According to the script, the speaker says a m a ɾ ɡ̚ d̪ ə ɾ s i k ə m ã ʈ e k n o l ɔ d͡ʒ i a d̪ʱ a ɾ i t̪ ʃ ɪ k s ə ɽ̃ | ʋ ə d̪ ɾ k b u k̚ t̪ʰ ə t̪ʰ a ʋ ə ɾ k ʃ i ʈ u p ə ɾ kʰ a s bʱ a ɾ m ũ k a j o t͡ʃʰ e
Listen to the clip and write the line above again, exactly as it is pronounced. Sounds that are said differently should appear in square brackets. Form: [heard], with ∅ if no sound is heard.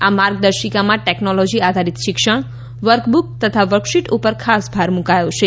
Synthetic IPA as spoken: a m a ɾ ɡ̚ d̪ ə ɾ [ʃ] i k [a] m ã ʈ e k n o l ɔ d͡ʒ i a d̪ʱ a ɾ i t̪ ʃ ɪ k [ʃ] ə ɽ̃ | ʋ ə [∅] ɾ k b u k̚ [t̪] ə t̪ʰ a ʋ ə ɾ k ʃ i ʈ u p ə ɾ kʰ a s bʱ a ɾ m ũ k a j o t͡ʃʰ e

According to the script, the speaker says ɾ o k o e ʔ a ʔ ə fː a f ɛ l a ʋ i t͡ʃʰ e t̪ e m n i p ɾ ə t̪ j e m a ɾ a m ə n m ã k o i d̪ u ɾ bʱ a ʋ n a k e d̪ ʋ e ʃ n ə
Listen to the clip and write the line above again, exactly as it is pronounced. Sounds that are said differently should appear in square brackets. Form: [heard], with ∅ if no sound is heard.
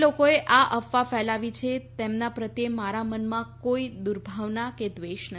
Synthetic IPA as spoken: [l] o k o e ʔ a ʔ ə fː a f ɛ l a ʋ i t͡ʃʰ e t̪ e m n [a] p ɾ ə t̪ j e m a ɾ a m ə n m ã k o i d̪ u ɾ bʱ a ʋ n a k e d̪ ʋ e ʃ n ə

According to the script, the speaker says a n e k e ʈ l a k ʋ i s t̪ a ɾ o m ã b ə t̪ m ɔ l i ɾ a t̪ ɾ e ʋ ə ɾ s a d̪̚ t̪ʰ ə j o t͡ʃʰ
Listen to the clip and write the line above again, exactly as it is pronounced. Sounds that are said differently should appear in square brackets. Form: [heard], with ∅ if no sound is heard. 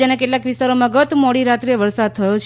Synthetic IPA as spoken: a n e k e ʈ l a k ʋ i s t̪ a ɾ o m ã [ɡ] ə t̪ m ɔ [ɽ] i ɾ a t̪ ɾ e ʋ ə ɾ s a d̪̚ t̪ʰ ə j o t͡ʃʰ

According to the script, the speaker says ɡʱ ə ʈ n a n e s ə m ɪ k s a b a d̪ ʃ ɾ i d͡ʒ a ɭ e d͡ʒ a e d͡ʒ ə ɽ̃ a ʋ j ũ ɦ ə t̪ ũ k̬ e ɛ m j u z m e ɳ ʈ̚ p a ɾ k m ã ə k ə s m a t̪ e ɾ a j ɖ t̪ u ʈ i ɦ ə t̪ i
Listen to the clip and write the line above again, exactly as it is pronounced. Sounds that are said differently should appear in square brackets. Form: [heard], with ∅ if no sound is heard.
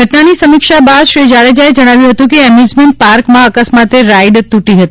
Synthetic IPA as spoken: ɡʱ ə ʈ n a n [i] s ə m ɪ k [ʃ] a b a d̪ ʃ ɾ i d͡ʒ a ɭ e d͡ʒ a e d͡ʒ ə ɽ̃ a ʋ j ũ ɦ ə t̪ ũ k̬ e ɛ m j u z m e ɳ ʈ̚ p a ɾ k m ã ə k ə s m a t̪ e ɾ a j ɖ t̪ u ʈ i ɦ ə t̪ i

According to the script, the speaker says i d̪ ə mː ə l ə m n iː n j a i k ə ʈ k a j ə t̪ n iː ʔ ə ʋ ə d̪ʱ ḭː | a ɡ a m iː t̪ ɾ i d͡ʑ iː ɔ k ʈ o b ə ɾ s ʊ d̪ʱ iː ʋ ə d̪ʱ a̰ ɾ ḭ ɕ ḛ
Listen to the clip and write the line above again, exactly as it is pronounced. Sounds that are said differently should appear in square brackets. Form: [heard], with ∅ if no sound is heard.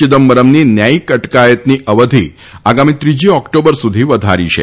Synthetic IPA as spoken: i d̪ ə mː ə [ɾ] ə m n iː n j a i k ə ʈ k a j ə t̪ n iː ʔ ə ʋ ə d̪ʱ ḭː | a ɡ a m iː t̪ ɾ i d͡ʑ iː ɔ k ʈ o b ə ɾ s [u] d̪ʱ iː ʋ ə d̪ʱ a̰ ɾ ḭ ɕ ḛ

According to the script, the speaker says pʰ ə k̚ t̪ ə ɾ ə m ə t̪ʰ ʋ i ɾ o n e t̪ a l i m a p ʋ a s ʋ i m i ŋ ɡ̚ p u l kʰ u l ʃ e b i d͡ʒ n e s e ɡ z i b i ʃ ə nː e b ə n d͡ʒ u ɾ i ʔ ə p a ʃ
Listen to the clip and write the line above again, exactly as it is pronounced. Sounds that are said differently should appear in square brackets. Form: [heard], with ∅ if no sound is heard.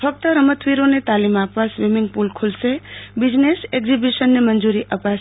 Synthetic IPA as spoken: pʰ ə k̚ t̪ ə ɾ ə m ə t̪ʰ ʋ i ɾ o n e t̪ a l i m a p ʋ a s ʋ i m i ŋ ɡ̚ p u l kʰ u l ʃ e b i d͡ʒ n e s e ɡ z i b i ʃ ə nː e [m] ə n d͡ʒ u ɾ i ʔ ə p a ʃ

